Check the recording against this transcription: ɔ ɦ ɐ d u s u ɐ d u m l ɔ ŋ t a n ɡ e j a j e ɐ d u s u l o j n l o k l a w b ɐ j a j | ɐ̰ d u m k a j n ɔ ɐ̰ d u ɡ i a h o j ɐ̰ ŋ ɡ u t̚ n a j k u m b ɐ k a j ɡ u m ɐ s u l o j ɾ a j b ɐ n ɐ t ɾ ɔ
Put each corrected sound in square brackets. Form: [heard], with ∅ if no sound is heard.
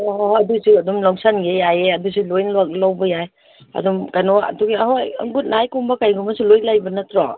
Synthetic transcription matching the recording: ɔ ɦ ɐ d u s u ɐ d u m l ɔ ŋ [s] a n ɡ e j a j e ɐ d u s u l o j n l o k l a w b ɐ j a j | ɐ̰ d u m k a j n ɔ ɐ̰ d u ɡ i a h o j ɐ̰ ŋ ɡ u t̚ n a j k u m b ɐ k a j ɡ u m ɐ s u l o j [l] a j b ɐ n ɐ t ɾ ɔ